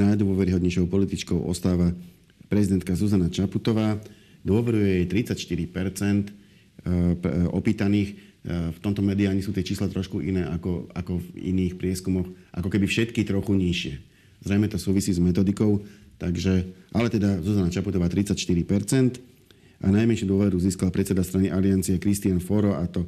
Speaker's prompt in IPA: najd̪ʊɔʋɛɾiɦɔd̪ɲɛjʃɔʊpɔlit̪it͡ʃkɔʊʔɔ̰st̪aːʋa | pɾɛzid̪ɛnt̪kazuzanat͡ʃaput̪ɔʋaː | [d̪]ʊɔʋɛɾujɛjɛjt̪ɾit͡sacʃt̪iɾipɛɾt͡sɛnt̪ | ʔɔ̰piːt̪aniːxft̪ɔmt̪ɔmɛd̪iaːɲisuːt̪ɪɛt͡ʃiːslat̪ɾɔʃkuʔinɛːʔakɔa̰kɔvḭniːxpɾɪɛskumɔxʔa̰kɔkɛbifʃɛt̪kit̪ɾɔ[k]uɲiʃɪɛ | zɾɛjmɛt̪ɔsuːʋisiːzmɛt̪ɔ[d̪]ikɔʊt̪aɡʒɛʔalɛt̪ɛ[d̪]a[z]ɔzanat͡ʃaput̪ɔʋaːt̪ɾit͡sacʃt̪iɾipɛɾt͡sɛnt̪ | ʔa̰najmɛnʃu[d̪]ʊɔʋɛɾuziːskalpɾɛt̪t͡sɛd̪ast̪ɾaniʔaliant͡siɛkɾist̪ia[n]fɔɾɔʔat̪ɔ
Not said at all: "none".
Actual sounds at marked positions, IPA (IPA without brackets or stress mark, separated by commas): d̪, x, d̪, d̪, z, d̪, n